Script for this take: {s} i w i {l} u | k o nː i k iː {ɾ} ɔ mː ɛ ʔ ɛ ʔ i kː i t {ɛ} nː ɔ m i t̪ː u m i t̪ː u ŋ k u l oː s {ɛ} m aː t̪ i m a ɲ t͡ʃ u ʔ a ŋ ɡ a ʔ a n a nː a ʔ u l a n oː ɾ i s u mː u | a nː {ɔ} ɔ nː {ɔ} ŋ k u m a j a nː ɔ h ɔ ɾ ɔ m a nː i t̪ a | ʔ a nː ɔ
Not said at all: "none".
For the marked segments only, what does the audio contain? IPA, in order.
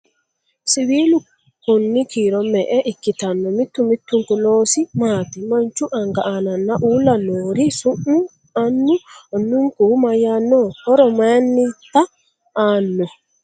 s, l, ɾ, a, i, u, u

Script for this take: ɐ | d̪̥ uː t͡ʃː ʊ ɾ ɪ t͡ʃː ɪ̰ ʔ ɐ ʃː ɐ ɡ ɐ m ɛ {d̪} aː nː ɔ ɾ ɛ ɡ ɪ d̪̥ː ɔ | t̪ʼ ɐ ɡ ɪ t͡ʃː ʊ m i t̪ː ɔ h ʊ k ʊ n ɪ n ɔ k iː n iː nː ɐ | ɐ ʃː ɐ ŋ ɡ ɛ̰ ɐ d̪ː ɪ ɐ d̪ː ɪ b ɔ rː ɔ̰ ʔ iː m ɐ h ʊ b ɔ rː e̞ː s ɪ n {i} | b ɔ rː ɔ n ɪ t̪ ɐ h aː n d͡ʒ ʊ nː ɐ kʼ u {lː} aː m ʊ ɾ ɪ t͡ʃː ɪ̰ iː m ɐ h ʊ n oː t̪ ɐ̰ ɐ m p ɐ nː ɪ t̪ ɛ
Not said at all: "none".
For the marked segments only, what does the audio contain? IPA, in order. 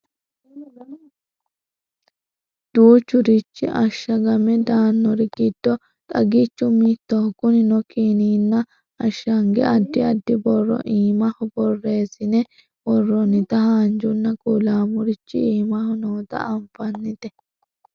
d̪, ɛ, l

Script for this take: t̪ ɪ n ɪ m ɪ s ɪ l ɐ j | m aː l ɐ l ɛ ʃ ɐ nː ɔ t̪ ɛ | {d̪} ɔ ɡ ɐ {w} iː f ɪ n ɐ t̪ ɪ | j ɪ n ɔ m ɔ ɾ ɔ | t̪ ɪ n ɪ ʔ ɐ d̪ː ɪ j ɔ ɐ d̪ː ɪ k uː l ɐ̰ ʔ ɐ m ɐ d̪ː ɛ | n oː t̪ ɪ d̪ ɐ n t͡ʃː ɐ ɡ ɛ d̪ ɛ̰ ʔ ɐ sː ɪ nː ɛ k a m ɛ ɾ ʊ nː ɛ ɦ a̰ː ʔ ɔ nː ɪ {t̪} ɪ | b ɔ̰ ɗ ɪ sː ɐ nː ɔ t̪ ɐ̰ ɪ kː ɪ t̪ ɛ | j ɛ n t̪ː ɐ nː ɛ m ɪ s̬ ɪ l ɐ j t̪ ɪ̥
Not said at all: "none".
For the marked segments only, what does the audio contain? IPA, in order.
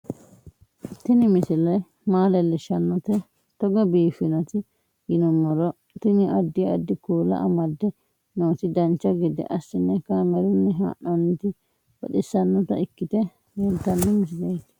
t̪, b, t̪

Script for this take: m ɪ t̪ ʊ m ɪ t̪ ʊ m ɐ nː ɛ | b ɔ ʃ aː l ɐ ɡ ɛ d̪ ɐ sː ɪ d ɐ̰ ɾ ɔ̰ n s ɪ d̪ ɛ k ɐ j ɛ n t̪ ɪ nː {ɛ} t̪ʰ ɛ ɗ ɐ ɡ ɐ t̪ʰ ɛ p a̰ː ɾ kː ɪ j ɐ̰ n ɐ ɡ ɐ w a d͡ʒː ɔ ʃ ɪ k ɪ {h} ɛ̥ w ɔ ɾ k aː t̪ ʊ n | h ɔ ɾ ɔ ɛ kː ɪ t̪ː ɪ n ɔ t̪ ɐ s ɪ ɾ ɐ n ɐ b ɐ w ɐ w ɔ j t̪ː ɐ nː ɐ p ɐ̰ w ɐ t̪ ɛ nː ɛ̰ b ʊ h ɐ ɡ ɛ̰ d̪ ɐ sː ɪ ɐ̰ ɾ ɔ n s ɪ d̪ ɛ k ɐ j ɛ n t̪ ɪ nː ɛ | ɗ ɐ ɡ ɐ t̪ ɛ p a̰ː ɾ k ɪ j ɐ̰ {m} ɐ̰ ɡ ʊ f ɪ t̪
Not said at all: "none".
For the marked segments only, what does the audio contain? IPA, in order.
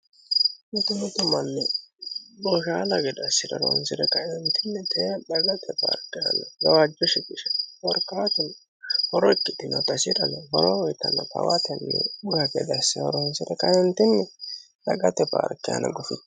ɛ, ʃ, n

